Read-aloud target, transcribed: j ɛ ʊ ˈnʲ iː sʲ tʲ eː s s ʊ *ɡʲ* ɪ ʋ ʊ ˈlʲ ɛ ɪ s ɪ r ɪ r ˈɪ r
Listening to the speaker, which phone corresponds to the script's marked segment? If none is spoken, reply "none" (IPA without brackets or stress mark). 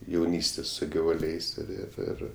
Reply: ɡʲ